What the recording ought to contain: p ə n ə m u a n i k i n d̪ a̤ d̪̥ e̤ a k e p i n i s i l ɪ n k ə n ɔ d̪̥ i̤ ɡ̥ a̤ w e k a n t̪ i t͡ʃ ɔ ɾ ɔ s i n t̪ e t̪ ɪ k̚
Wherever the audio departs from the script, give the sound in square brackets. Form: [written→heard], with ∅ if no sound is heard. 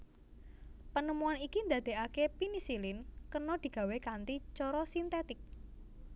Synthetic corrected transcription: p ə n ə m u a n i k i n d̪ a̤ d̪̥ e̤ a k e p i n i s i l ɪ n k ə n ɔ d̪̥ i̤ ɡ̥ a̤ w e k a n t̪ i t͡ʃ ɔ ɾ ɔ s i n t̪ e t̪ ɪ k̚